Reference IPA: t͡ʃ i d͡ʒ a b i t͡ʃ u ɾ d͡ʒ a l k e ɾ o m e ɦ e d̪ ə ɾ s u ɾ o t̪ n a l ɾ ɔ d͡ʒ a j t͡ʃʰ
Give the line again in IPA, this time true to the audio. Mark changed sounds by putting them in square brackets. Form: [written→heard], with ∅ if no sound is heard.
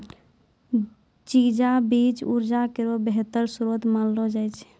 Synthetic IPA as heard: t͡ʃ i d͡ʒ a b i t͡ʃ u ɾ d͡ʒ a [l→∅] k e ɾ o [m→b] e ɦ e [d̪→t̪] ə ɾ s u ɾ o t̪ [n→m] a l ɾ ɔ d͡ʒ a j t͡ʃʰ